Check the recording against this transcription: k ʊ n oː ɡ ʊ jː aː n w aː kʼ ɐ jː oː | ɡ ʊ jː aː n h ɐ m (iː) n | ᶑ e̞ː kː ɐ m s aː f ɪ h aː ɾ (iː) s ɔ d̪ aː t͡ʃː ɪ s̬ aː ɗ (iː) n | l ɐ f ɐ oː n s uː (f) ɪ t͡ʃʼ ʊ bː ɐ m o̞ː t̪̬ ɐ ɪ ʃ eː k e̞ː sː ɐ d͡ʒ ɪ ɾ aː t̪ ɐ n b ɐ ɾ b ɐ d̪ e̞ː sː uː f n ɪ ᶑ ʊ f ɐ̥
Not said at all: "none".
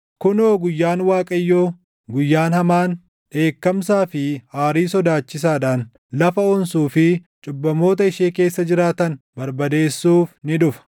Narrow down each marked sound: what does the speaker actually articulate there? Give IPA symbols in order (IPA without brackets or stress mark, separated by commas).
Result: aː, iː, aː, f